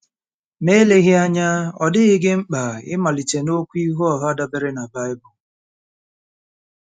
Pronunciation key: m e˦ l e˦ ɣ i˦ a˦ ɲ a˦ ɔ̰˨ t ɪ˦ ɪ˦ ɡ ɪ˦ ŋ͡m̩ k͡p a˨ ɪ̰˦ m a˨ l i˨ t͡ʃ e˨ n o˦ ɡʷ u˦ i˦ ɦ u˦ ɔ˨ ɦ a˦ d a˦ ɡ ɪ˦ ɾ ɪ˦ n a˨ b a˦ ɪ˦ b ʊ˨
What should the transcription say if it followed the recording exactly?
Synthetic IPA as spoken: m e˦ l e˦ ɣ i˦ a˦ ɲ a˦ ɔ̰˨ d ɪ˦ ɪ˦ ɡ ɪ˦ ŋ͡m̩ k͡p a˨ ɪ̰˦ m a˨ l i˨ t͡ʃ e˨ n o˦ kʷ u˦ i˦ ɦ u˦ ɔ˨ ɦ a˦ d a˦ b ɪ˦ ɾ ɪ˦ n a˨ b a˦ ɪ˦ b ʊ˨